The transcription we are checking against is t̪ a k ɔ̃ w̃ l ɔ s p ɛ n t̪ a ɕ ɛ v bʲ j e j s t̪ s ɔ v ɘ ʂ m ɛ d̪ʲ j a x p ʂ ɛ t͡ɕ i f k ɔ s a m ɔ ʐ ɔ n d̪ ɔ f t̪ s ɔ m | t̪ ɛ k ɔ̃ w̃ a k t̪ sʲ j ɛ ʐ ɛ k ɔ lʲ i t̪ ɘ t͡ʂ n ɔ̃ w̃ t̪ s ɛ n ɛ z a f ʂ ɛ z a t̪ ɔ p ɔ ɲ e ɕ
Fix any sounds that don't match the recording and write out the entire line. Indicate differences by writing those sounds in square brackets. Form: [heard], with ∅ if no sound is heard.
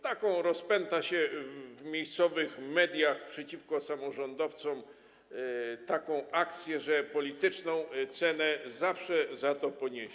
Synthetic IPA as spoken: t̪ a k ɔ̃ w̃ [ɾ] ɔ s p ɛ n t̪ a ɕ ɛ v [mʲ] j e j s t̪ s ɔ v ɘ [x] m ɛ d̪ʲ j a x p ʂ ɛ t͡ɕ i f k ɔ s a m ɔ ʐ ɔ n d̪ ɔ f t̪ s ɔ m | t̪ [a] k ɔ̃ w̃ a k t̪ sʲ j ɛ ʐ ɛ [p] ɔ lʲ i t̪ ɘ t͡ʂ n ɔ̃ w̃ t̪ s ɛ n ɛ z a f ʂ ɛ z a t̪ ɔ p ɔ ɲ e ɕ